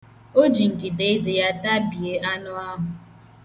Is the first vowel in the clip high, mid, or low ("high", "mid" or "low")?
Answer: mid